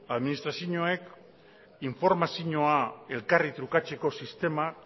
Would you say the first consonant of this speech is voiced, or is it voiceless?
voiced